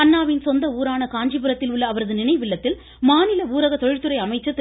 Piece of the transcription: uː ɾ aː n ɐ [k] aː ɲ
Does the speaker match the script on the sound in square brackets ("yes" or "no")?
yes